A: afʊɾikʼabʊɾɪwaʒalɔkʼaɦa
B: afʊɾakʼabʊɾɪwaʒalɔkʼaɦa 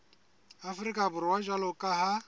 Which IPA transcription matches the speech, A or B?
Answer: A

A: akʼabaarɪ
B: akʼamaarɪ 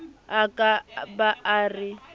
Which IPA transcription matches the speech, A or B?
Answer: A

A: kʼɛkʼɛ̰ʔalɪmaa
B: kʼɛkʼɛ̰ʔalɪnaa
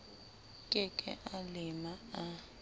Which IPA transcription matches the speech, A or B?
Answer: A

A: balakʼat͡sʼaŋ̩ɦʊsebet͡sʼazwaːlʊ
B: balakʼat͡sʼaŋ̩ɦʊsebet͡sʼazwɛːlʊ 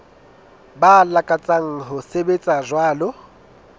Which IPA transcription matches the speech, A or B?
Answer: A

